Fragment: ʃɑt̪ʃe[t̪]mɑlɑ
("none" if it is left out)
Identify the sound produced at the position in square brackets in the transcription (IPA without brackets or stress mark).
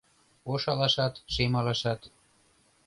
none